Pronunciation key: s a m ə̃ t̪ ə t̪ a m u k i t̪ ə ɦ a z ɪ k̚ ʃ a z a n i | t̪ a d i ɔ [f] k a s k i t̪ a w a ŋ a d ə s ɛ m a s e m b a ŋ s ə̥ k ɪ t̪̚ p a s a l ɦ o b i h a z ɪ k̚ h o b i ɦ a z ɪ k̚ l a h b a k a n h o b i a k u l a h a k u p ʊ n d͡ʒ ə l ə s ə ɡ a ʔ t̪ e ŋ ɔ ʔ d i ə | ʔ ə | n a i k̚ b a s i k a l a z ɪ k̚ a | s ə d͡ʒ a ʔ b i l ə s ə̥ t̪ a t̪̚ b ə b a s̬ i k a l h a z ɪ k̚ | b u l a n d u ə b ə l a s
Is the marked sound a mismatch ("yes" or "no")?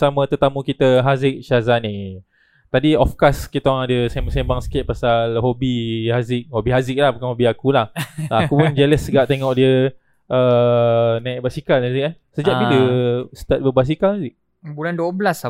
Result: no